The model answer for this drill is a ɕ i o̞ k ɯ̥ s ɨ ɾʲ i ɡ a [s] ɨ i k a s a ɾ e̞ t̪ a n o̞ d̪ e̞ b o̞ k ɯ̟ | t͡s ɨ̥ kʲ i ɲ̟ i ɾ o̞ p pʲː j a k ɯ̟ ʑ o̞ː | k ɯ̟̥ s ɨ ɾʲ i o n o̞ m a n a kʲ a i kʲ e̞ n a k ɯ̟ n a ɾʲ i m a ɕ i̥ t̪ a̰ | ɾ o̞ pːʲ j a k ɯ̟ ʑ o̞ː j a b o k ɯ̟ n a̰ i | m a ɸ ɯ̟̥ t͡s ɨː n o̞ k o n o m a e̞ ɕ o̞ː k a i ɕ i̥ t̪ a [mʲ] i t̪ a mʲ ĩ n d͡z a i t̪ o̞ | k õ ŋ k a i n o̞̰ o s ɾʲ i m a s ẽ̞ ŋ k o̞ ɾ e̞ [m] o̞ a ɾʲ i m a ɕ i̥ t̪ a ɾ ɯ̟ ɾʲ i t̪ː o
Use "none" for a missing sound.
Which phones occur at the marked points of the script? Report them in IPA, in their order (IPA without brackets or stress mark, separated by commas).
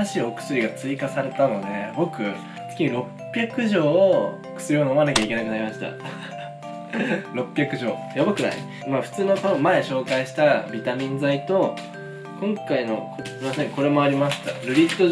t͡s, bʲ, m